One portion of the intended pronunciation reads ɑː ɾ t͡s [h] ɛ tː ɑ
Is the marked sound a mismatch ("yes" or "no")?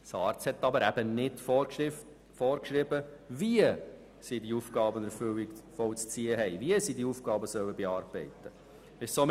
no